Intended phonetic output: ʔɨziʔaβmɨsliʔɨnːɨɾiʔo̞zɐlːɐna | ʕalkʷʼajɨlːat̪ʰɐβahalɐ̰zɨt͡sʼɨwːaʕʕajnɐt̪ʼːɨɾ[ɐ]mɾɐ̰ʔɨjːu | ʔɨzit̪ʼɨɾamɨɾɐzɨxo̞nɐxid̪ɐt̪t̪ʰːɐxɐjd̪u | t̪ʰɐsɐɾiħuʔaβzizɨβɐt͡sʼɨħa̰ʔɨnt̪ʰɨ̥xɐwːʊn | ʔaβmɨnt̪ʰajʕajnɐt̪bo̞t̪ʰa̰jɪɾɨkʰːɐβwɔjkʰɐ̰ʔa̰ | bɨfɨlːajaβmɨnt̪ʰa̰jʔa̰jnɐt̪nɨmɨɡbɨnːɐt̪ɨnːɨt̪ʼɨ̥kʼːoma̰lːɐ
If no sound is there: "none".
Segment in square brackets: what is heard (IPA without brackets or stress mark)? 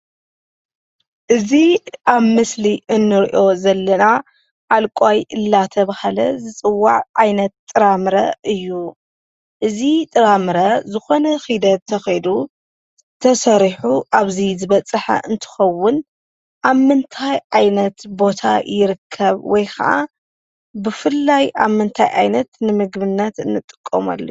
a